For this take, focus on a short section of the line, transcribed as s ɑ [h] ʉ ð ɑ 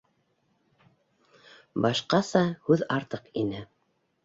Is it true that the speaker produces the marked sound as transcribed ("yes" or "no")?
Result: yes